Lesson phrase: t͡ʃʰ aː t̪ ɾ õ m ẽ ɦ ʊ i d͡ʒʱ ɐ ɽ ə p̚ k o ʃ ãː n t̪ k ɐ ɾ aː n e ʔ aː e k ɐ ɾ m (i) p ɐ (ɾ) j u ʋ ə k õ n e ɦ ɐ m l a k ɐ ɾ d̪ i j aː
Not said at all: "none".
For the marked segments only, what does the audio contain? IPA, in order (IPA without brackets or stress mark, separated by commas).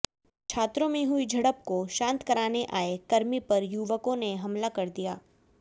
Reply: i, ɾ